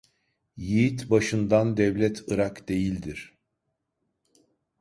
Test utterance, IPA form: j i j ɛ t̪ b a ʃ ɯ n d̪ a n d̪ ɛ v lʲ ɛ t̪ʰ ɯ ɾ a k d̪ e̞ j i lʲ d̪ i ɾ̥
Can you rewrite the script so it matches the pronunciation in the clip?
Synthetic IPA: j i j i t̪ b a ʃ ɯ n d̪ a n d̪ ɛ v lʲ ɛ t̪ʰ ɯ ɾ a k d̪ e̞ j i lʲ d̪ i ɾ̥